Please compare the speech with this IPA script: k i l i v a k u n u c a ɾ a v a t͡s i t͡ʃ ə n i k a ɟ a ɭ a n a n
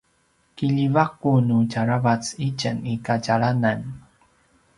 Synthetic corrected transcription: k i ʎ i v a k u n u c a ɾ a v a t͡s i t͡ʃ ə n i k a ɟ a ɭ a n a n